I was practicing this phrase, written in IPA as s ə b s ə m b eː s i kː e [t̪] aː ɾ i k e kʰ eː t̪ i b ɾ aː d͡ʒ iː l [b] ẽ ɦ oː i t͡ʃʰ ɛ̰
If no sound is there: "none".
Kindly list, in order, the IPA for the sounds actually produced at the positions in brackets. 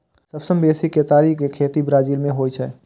t̪, m

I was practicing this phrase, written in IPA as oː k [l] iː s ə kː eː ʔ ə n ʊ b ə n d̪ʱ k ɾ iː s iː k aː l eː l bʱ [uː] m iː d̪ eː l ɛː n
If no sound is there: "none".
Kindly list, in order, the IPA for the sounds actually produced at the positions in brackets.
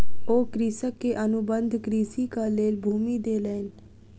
ɾ, uː

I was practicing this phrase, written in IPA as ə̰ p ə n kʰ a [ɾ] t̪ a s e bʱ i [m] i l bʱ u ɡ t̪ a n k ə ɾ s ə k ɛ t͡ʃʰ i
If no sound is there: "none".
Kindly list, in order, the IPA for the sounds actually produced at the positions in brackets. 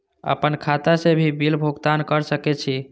none, b

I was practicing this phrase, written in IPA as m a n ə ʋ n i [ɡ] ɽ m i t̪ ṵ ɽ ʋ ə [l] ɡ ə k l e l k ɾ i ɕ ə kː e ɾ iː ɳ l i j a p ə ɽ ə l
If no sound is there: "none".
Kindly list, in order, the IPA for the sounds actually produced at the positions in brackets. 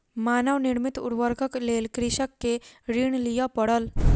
none, ɾ

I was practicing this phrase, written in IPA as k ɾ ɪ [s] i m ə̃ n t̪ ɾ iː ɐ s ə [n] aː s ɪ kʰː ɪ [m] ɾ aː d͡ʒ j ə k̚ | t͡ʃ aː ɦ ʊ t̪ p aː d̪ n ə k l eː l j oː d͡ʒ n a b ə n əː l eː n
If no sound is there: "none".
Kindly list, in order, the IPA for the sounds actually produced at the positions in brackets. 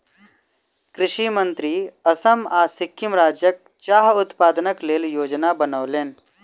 ʃ, m, m

